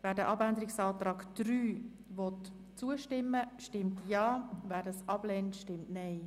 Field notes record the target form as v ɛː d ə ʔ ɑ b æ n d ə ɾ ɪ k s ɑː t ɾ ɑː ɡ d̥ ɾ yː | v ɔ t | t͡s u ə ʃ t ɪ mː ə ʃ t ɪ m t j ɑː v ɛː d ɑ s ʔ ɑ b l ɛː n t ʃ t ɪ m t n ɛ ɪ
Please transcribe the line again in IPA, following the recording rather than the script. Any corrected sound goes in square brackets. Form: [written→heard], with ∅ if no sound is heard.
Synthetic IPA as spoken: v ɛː d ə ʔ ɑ b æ n d ə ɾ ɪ k s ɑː t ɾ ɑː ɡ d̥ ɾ yː | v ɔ t | t͡s u ə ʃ t ɪ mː ə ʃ t ɪ m t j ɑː v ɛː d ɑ s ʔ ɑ b l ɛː n t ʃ t ɪ m t n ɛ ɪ